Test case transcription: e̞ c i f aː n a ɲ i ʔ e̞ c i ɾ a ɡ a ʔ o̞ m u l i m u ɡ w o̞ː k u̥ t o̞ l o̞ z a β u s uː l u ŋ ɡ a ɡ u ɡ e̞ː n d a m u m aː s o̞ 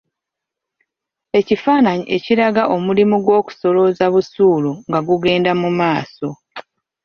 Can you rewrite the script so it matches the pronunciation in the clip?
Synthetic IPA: e̞ c i f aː n a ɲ i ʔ e̞ c i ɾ a ɡ a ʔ o̞ m u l i m u ɡ w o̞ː k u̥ s o̞ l o̞ z a β u s uː l u ŋ ɡ a ɡ u ɡ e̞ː n d a m u m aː s o̞